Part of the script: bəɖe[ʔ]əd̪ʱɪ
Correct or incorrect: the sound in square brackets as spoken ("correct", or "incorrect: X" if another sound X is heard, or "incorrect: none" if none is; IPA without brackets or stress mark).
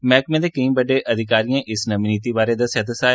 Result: correct